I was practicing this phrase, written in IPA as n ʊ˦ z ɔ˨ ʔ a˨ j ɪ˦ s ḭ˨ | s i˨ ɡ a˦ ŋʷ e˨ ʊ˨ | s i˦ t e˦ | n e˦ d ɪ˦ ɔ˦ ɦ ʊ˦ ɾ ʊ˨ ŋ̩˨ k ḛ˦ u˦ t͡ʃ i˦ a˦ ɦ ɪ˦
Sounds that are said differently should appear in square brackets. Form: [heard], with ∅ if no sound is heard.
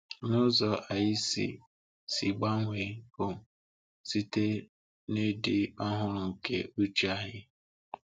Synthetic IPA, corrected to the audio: n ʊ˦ z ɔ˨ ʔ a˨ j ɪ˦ s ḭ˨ | s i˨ [ɡ͡b] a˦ ŋʷ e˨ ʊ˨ | s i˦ t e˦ | n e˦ d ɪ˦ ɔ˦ ɦ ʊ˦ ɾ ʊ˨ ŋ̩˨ k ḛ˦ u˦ t͡ʃ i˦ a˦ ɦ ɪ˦